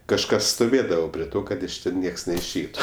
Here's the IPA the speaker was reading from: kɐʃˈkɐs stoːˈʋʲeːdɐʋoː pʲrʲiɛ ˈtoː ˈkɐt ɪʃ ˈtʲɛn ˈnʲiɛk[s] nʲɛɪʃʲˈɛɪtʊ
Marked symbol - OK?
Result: yes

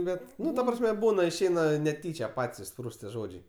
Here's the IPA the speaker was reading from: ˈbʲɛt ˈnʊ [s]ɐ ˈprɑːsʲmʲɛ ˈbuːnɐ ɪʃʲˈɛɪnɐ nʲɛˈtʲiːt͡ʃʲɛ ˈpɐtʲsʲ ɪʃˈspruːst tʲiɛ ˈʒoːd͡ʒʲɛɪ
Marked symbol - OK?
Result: no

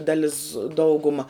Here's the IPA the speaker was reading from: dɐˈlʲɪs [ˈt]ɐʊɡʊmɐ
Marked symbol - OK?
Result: no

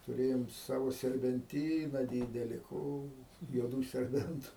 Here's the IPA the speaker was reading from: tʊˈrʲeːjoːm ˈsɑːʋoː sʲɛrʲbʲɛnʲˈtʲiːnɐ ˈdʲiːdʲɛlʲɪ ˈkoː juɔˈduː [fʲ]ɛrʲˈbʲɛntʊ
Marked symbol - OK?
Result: no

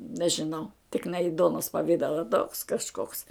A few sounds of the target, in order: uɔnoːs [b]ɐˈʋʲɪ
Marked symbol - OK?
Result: no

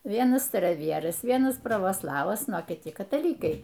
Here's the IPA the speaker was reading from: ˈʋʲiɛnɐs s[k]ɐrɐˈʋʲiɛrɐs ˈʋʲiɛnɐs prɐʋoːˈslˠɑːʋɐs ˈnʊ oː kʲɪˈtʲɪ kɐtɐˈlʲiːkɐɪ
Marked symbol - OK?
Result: no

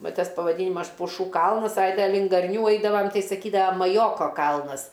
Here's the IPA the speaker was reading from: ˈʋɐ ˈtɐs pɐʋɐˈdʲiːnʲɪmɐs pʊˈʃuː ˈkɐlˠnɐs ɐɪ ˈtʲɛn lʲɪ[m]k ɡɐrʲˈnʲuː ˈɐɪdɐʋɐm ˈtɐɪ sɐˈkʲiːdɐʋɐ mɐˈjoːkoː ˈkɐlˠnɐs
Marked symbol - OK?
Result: no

